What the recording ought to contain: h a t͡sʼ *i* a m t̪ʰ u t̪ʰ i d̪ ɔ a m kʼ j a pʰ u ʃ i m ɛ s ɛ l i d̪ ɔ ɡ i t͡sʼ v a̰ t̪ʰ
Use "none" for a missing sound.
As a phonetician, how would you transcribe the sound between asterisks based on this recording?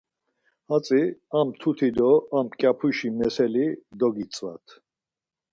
i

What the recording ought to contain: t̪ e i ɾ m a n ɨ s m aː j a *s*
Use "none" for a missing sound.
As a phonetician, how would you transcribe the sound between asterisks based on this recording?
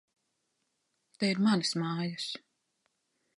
s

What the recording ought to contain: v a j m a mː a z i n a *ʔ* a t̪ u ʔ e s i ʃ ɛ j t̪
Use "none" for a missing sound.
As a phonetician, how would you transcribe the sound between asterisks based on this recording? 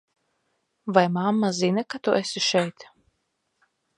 k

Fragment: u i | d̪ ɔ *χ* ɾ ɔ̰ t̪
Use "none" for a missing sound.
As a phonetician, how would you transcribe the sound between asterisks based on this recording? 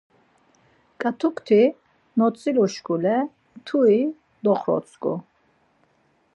χ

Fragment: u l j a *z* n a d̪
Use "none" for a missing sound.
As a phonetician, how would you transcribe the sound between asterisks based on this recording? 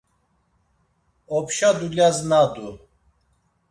z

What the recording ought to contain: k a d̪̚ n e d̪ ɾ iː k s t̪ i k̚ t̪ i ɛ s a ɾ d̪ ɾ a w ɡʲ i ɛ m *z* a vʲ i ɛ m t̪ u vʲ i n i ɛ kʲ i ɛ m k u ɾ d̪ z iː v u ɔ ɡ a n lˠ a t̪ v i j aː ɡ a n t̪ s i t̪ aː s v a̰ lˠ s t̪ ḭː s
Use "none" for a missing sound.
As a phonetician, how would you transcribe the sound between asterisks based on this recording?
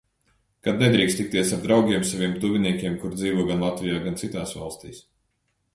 s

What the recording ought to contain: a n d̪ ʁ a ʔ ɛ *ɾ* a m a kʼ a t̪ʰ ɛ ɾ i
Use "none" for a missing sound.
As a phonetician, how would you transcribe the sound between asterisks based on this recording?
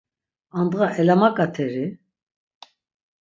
l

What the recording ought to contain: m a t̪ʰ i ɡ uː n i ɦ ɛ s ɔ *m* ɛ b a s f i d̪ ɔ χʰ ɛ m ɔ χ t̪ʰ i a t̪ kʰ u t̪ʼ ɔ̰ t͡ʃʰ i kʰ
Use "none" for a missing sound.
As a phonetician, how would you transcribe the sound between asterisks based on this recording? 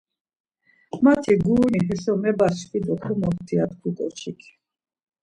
m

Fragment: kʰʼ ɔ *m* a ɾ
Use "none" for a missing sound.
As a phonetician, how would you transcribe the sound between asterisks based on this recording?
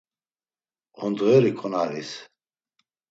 n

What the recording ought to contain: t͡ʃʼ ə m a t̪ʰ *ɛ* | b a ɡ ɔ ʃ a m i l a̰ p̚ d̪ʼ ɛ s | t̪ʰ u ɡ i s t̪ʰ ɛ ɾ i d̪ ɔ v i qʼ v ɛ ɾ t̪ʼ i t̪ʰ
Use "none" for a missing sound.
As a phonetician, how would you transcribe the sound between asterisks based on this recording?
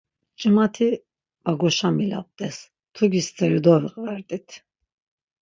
i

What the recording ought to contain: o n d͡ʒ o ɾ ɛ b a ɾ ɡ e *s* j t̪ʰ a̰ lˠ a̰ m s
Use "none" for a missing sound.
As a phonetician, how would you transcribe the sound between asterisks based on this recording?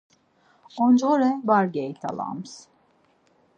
none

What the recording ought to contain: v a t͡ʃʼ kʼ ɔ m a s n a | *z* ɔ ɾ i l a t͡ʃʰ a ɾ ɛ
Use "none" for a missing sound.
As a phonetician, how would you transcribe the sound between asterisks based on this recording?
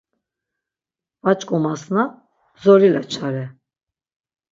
z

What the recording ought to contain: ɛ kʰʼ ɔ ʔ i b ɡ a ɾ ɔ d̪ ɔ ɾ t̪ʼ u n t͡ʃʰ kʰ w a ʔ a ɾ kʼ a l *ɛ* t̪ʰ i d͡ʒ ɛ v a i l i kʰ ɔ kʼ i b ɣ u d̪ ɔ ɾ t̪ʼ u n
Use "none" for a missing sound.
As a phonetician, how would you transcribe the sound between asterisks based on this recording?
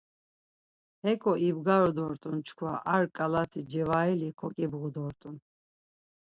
a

